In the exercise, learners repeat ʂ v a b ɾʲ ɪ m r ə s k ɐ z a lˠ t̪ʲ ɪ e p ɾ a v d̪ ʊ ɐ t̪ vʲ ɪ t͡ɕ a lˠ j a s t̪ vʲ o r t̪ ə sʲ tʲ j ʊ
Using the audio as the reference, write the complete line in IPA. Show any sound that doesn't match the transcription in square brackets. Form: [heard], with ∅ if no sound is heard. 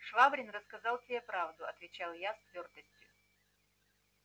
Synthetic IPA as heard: ʂ v a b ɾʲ ɪ [n] r ə s k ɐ z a lˠ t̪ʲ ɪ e p ɾ a v d̪ ʊ ɐ t̪ vʲ ɪ t͡ɕ a lˠ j a s t̪ vʲ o r t̪ ə sʲ tʲ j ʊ